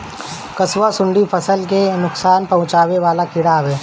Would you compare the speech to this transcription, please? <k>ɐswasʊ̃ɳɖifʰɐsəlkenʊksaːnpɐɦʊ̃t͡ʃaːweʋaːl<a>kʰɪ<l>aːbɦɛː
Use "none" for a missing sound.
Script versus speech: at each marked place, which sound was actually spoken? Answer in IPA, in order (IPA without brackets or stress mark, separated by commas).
k, a, ɽ